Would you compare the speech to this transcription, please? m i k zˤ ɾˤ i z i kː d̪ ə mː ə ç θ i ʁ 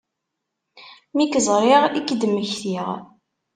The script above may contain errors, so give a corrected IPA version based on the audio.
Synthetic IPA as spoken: m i k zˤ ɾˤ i ʁ i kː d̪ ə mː ə ç θ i ʁ